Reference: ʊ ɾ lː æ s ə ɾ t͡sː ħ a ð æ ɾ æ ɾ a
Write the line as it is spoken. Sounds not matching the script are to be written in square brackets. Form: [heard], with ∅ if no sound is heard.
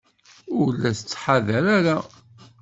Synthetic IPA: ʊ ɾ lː æ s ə [∅] t͡sː ħ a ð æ ɾ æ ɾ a